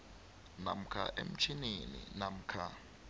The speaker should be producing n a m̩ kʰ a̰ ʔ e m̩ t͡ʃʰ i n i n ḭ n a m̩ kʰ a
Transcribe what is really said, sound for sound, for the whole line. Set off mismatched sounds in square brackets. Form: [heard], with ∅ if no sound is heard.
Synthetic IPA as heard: n a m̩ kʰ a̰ ʔ e m̩ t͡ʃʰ i n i n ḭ n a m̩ kʰ a